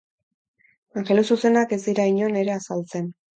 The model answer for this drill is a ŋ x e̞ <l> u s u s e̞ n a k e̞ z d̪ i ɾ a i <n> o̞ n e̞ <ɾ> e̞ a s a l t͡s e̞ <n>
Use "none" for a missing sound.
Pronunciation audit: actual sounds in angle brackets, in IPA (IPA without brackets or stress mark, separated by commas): l, ɲ, ɾ, n